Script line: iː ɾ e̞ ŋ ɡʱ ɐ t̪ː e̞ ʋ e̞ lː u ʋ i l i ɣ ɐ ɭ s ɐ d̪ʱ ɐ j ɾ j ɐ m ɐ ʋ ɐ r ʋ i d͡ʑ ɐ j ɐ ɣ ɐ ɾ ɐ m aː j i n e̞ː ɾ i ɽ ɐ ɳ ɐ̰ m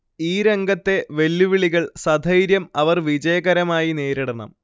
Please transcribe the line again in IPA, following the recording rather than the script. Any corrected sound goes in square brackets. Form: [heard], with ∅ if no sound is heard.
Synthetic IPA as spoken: iː ɾ e̞ ŋ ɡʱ ɐ t̪ː e̞ ʋ e̞ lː u ʋ i [ɭ] i ɣ ɐ ɭ s ɐ d̪ʱ ɐ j ɾ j ɐ m ɐ ʋ ɐ r ʋ i d͡ʑ ɐ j ɐ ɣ ɐ ɾ ɐ m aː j i n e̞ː ɾ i ɽ ɐ ɳ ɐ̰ m